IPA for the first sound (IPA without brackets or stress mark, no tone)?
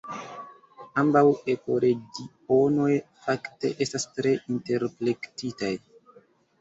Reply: a